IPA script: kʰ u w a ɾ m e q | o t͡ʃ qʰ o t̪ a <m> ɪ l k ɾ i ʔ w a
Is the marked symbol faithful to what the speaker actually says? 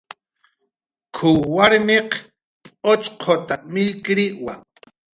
yes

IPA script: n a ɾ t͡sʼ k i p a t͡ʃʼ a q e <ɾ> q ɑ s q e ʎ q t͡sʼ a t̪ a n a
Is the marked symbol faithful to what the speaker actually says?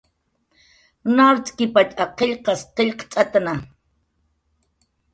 no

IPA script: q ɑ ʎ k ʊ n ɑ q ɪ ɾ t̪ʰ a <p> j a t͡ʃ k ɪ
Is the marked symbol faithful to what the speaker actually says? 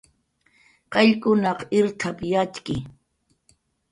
yes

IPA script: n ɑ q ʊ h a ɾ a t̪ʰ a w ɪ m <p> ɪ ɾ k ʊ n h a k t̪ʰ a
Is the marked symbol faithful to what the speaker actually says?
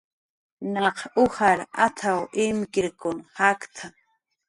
no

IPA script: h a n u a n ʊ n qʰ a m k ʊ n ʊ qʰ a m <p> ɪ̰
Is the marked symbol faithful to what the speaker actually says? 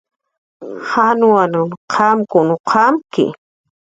no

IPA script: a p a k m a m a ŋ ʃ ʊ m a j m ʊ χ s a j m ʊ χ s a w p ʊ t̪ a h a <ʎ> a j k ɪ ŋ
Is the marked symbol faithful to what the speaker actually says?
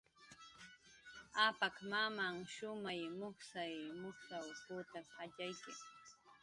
yes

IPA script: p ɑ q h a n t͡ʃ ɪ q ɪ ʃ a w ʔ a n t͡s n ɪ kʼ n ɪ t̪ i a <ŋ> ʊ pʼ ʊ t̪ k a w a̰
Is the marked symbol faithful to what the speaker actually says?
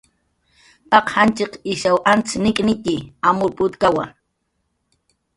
no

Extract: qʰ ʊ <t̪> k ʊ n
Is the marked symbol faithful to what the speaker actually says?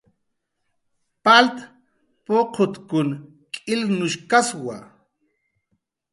yes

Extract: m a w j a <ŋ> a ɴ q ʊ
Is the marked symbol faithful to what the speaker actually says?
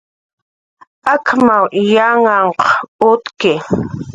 yes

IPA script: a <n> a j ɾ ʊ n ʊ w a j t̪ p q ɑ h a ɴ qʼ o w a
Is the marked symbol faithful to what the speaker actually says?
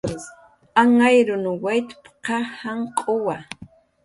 no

